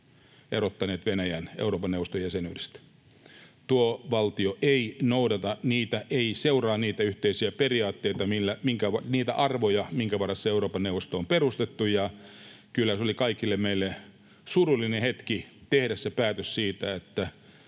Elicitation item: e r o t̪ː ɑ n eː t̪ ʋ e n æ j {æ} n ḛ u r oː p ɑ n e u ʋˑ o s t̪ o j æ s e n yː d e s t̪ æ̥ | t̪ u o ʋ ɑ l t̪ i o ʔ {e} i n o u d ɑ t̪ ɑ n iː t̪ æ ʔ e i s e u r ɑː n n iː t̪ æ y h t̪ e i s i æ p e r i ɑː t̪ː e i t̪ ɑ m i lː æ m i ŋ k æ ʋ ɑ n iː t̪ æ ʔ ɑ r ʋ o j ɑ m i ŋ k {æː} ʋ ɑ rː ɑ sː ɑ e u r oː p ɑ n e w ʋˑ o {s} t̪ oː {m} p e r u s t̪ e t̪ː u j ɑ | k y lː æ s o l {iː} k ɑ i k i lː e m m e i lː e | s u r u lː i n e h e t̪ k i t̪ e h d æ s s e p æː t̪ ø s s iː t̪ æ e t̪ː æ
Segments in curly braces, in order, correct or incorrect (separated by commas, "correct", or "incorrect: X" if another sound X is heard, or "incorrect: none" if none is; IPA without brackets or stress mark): correct, correct, incorrect: æ, correct, correct, incorrect: i